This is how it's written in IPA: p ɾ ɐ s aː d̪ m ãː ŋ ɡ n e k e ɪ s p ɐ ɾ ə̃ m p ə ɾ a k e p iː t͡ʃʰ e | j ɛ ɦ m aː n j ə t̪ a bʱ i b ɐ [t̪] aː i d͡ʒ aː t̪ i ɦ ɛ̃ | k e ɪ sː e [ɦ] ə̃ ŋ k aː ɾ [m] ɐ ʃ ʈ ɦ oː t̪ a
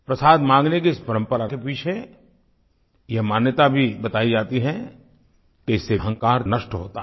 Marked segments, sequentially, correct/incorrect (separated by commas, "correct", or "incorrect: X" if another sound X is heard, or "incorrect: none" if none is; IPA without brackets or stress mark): correct, correct, incorrect: n